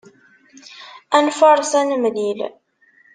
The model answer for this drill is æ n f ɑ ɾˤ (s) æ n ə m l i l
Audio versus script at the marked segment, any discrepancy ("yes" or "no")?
no